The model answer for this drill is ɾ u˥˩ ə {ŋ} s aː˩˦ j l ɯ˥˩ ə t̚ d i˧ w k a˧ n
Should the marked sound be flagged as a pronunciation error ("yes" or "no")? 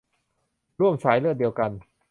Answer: yes